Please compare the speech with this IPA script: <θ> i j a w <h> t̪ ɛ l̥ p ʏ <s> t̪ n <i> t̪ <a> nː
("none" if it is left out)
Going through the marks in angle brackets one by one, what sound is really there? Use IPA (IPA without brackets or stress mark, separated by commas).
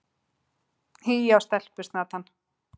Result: h, s, s, a, a